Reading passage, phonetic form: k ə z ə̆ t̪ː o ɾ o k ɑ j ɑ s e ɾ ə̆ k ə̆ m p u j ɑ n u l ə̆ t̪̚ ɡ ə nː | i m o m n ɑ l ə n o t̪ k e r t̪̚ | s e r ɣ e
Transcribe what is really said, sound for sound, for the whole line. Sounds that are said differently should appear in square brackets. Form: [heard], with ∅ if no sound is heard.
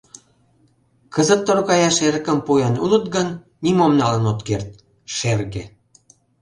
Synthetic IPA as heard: k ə z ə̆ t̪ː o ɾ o k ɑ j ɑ [ʃ] e ɾ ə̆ k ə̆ m p u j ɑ n u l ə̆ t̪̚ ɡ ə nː | i m o m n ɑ l ə n o t̪ k e r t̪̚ | [ʃ] e r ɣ e

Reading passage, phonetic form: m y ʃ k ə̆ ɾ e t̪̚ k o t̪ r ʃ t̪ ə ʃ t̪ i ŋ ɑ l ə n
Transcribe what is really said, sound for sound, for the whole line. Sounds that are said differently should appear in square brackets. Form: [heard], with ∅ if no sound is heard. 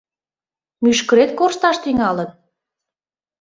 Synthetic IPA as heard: m y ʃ k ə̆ ɾ e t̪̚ k o [∅] r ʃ t̪ [ɑ] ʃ t̪ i ŋ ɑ l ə n

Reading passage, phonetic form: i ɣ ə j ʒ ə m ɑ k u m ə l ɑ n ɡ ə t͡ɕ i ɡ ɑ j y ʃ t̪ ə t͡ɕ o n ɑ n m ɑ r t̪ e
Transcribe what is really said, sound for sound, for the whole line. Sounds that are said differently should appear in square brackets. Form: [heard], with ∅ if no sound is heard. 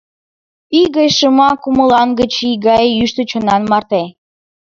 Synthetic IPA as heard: i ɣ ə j [ʃ] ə m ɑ k u m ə l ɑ n ɡ ə t͡ɕ i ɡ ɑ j y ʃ t̪ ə t͡ɕ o n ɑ n m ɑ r t̪ e

